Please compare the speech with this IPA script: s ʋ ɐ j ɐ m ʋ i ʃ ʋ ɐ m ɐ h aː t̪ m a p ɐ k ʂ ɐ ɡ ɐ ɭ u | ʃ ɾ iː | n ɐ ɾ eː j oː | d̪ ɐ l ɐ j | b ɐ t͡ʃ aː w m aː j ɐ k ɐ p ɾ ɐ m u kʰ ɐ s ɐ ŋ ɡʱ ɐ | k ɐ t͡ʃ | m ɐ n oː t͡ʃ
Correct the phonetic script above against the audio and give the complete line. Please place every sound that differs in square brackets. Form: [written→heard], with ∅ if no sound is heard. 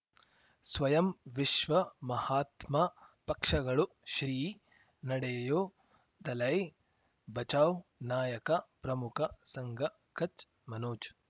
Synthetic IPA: s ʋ ɐ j ɐ m ʋ i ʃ ʋ ɐ m ɐ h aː t̪ m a p ɐ k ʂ ɐ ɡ ɐ ɭ u | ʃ ɾ iː | n ɐ [ɾ→ɽ] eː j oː | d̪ ɐ l ɐ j | b ɐ t͡ʃ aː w [m→n] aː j ɐ k ɐ p ɾ ɐ m u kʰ ɐ s ɐ ŋ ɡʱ ɐ | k ɐ t͡ʃ | m ɐ n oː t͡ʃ